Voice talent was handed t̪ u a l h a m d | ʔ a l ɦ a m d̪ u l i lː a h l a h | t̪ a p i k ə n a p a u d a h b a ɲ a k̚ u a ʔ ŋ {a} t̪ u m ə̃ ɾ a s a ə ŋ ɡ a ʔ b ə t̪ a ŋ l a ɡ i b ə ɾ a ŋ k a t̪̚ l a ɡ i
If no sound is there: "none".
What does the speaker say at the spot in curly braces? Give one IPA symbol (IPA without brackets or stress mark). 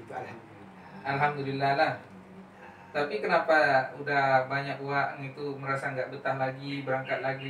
i